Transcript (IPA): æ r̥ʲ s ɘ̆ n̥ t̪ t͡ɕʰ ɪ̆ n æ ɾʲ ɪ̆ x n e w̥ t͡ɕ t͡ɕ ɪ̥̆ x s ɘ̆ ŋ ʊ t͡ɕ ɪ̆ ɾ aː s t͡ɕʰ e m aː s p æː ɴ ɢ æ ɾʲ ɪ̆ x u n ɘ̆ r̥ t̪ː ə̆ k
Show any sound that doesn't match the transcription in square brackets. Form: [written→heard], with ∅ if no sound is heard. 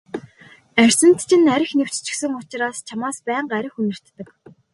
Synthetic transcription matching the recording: æ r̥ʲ s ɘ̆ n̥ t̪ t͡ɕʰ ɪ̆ n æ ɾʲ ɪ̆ x n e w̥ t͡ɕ t͡ɕ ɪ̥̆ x s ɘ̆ ŋ ʊ t͡ɕ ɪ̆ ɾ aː s t͡ɕʰ [e→a] m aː s p æː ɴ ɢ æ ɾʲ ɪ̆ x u n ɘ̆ r̥ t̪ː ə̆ k